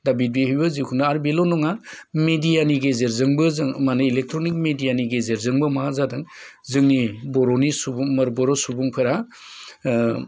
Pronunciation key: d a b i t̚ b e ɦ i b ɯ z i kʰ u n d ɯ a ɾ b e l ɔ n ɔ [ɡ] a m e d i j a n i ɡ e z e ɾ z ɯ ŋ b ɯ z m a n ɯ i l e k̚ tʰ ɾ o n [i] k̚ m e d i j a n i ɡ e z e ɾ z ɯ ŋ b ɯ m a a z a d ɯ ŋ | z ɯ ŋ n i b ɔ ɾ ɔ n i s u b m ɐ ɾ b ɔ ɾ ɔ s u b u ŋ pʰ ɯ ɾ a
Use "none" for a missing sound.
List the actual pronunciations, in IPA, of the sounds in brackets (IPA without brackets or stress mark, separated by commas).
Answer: ŋ, i